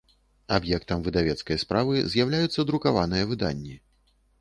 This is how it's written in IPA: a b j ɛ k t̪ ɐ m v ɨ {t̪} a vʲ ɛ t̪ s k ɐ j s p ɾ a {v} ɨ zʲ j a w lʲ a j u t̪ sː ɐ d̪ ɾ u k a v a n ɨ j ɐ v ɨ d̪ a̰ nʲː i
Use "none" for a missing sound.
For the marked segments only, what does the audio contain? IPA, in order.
d̪, v

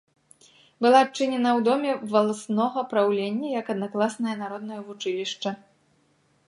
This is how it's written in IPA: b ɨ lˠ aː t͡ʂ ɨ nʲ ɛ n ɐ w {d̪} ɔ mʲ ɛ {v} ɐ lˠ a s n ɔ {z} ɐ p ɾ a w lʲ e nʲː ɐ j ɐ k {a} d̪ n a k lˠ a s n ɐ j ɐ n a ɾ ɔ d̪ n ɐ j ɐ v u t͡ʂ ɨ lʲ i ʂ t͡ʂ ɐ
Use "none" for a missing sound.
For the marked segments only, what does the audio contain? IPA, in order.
d̪, v, ɣ, ɐ

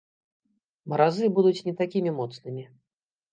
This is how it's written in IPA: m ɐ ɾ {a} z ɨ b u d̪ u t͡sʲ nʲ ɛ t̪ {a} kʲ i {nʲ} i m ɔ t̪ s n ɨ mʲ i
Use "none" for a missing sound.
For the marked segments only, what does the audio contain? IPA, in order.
a, a, mʲ

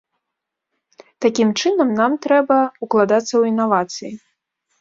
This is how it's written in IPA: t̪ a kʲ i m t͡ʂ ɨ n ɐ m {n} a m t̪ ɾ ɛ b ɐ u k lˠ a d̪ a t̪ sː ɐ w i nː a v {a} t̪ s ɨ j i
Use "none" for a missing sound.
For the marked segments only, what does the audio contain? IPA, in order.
n, a

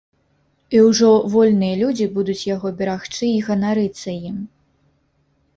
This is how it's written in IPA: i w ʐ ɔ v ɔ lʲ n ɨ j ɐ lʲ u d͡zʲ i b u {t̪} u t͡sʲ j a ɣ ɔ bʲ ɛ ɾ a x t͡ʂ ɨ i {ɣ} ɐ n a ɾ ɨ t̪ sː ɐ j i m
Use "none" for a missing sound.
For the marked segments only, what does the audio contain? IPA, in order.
d̪, ɣ

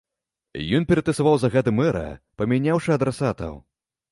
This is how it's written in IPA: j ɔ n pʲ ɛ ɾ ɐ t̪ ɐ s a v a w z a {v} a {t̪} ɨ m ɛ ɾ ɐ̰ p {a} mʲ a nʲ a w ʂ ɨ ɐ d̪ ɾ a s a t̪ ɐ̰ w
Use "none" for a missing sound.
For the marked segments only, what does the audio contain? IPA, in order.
ɣ, d̪, ɐ

